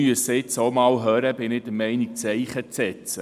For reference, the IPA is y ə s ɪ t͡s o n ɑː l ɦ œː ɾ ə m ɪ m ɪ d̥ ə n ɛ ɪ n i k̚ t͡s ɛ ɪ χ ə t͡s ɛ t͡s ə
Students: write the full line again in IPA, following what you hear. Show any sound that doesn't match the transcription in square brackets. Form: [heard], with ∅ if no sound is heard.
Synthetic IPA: y ə s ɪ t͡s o [m] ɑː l ɦ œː ɾ ə [b] ɪ [n] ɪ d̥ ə [m] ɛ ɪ n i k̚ t͡s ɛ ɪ χ ə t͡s ɛ t͡s ə